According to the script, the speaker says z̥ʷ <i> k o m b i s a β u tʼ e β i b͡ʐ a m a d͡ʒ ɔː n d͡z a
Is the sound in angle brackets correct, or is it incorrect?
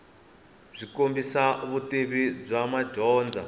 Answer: correct